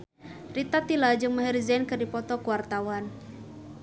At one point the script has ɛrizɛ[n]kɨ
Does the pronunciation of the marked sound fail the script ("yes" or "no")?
no